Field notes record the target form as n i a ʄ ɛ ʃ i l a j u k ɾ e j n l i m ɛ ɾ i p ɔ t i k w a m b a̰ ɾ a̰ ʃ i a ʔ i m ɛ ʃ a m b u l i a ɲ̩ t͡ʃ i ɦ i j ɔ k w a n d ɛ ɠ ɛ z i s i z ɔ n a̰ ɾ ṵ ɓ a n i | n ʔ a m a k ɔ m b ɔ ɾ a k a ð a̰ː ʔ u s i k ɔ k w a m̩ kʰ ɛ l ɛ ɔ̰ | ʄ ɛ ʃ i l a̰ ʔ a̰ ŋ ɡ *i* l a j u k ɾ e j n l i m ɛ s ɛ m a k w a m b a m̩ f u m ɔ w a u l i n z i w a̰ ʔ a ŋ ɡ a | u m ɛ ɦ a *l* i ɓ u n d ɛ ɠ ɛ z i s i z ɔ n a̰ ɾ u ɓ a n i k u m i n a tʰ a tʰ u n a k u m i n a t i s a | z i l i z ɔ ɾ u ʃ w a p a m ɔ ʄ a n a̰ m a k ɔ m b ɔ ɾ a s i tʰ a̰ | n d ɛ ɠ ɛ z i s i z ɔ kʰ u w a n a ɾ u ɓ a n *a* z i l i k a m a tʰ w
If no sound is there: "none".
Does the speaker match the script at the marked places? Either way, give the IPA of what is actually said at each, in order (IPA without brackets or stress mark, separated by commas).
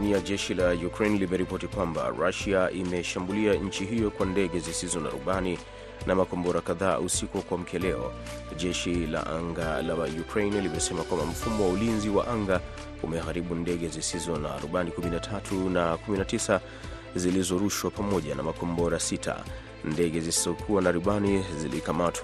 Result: a, ɾ, i